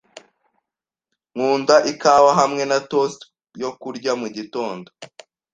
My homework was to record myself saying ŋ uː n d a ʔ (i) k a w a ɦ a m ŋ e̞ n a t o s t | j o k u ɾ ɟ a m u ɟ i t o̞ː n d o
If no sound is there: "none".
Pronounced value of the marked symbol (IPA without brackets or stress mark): i